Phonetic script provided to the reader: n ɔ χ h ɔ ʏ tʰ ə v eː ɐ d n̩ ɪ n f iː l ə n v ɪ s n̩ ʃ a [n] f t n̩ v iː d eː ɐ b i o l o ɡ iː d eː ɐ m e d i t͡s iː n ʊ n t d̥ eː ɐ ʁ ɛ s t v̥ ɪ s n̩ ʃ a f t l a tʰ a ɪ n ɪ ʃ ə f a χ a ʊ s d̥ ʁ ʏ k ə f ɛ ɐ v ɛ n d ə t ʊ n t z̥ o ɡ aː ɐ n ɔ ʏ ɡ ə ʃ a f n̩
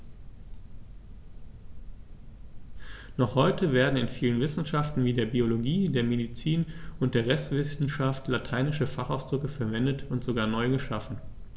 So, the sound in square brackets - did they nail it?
no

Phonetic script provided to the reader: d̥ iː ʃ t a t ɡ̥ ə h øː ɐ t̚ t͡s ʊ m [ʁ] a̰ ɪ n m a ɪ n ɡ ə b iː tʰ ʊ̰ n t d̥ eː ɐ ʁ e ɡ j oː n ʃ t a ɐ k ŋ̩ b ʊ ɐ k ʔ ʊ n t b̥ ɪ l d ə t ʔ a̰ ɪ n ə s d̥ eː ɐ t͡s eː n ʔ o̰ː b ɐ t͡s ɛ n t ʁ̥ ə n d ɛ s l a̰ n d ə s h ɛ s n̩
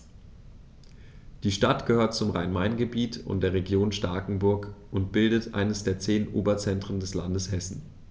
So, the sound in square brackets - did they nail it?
yes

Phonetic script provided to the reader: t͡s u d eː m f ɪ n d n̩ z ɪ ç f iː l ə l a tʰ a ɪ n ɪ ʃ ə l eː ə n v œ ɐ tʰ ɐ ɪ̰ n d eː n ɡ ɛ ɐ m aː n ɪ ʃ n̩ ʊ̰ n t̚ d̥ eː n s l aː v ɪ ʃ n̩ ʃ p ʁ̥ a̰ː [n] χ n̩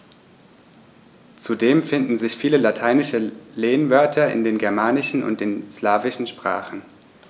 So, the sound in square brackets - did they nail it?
no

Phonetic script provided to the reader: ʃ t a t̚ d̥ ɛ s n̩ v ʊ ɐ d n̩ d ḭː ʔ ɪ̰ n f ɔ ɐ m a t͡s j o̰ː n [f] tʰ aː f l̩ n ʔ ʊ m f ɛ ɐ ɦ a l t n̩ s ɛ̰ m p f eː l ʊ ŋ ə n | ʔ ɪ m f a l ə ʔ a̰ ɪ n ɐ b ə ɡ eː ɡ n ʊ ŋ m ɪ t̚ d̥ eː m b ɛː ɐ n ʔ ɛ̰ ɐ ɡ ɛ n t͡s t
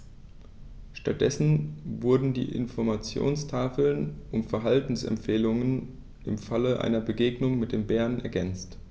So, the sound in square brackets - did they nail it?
no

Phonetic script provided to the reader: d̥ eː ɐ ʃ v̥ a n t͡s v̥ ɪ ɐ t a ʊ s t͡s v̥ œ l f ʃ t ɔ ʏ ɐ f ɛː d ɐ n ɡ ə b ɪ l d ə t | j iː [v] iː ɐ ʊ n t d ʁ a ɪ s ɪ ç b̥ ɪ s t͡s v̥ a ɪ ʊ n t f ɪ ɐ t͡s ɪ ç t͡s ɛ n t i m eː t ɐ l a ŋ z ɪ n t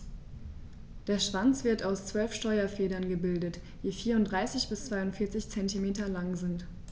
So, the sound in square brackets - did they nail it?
no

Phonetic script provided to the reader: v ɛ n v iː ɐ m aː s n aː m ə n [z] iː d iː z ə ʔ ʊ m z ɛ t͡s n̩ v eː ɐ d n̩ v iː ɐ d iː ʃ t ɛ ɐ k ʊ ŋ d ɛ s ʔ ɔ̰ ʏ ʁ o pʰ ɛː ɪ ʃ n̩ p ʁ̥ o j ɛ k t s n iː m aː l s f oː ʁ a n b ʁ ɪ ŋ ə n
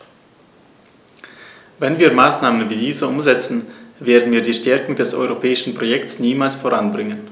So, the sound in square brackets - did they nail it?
no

